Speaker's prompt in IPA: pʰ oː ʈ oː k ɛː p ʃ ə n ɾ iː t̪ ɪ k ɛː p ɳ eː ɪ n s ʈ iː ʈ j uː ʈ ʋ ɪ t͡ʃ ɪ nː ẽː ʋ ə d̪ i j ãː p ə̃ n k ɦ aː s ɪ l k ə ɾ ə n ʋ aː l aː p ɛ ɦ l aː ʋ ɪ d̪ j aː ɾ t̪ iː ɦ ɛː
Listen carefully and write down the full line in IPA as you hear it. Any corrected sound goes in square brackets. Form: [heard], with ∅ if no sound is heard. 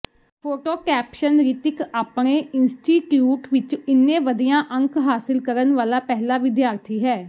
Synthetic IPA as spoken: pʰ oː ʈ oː k ɛː p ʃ ə n ɾ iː t̪ ɪ k [aː] p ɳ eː ɪ n s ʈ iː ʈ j uː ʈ ʋ ɪ t͡ʃ ɪ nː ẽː ʋ ə d̪ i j ãː [ʔ] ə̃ [ŋ] k ɦ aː s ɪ l k ə ɾ ə n ʋ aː l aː p ɛ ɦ l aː ʋ ɪ d̪ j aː ɾ [t̪ʰ] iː ɦ ɛː

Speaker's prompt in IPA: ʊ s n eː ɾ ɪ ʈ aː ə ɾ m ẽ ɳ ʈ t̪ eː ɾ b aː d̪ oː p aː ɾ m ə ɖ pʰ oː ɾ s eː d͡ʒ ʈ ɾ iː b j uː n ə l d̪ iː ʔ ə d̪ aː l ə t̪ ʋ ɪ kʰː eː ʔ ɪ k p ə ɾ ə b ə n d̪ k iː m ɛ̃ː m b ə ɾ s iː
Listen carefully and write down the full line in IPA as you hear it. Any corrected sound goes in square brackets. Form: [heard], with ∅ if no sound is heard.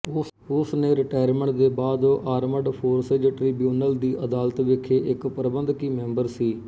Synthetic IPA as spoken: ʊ s n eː ɾ ɪ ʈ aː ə ɾ m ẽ ɳ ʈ [d̪] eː [∅] b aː d̪ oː [ʔ] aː ɾ m ə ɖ pʰ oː ɾ s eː d͡ʒ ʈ ɾ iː b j uː n ə l d̪ iː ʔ ə d̪ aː l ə t̪ ʋ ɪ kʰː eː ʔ ɪ k p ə ɾ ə b ə n d̪ k iː m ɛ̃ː m b ə ɾ s iː

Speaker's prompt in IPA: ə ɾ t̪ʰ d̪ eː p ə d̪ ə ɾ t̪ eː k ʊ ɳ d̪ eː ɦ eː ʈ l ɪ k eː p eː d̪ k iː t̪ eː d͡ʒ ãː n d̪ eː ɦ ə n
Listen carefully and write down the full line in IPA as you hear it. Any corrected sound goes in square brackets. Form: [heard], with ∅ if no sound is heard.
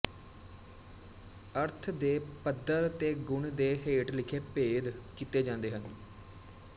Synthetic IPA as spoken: ə ɾ t̪ʰ d̪ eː p ə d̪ ə ɾ t̪ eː [ɡ] ʊ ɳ d̪ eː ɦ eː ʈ l ɪ [kʰ] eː p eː d̪ k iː t̪ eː d͡ʒ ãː n d̪ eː ɦ ə n

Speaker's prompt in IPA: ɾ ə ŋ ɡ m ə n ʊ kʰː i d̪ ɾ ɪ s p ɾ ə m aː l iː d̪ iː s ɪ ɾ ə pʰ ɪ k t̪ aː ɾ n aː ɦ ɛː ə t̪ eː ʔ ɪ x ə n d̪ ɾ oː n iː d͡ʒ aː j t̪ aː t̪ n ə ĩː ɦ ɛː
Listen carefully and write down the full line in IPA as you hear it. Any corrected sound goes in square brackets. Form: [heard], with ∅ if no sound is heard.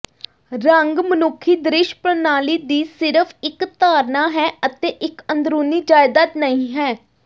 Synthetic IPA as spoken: ɾ ə ŋ ɡ m ə n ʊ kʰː [iː] d̪ ɾ ɪ [ʃ] p ɾ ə [n] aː l iː d̪ iː s ɪ ɾ ə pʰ ɪ k t̪ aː ɾ n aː ɦ ɛː ə t̪ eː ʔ ɪ [k] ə n d̪ ɾ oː n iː d͡ʒ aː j [d̪] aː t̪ n ə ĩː ɦ ɛː

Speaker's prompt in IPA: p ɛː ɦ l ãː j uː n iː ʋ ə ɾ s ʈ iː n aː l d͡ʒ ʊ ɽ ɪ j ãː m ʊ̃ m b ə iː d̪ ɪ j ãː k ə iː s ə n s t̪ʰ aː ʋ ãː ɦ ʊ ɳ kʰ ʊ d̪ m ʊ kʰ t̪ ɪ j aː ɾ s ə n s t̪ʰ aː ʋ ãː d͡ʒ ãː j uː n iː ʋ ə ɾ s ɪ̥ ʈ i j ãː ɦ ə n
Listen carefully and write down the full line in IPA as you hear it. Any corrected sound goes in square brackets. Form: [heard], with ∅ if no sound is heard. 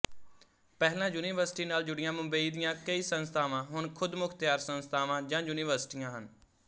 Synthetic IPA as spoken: p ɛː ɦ l ãː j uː n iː ʋ ə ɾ s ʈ iː n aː l d͡ʒ ʊ ɽ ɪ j ãː m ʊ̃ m b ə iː d̪ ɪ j ãː k ə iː s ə n s t̪ʰ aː ʋ ãː ɦ ʊ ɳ kʰ ʊ d̪ m ʊ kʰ t̪ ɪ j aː ɾ s ə n s t̪ʰ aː ʋ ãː d͡ʒ ãː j uː n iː ʋ ə ɾ s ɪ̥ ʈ i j ãː ɦ ə n

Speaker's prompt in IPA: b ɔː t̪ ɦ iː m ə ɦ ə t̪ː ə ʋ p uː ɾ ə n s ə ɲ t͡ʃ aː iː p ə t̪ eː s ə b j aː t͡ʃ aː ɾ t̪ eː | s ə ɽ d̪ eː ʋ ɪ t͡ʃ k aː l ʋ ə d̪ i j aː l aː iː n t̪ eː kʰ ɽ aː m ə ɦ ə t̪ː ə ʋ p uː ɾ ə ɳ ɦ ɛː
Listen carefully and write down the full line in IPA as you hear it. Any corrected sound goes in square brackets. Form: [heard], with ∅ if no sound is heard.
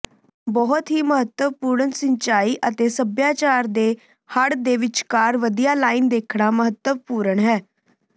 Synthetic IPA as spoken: b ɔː t̪ ɦ iː m ə ɦ ə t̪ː ə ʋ p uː ɾ ə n s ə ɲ t͡ʃ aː iː [ʔ] ə t̪ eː s ə b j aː t͡ʃ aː ɾ [d̪] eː | [h] ə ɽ d̪ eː ʋ ɪ t͡ʃ k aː [ɾ] ʋ ə d̪ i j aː l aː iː n [d̪] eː kʰ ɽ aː m ə ɦ ə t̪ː ə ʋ p uː ɾ ə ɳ ɦ ɛː

